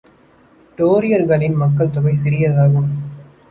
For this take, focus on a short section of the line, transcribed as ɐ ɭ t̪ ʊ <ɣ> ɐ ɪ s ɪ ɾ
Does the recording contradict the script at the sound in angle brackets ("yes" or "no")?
no